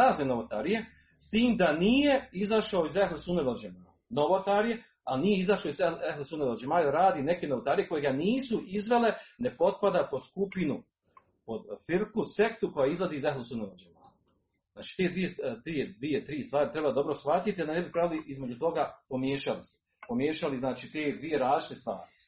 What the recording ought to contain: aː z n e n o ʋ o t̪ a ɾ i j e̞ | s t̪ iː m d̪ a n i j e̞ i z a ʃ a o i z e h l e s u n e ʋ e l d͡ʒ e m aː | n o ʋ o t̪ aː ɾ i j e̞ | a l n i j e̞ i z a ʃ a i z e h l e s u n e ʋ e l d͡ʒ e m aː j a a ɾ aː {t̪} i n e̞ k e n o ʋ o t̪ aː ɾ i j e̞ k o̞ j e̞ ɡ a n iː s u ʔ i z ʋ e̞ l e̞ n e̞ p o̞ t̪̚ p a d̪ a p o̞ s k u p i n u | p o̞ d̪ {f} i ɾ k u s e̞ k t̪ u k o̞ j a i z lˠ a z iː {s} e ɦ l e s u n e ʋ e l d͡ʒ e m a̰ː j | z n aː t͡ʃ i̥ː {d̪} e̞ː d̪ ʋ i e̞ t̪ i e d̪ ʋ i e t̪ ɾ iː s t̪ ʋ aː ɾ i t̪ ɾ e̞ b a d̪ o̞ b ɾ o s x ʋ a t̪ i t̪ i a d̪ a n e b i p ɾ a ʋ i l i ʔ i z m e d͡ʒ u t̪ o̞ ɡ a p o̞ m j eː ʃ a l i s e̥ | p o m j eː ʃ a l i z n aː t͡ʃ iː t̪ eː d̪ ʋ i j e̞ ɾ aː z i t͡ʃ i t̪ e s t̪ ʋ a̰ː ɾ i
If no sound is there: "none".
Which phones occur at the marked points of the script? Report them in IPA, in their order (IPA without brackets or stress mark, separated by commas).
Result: d̪, f, z, t̪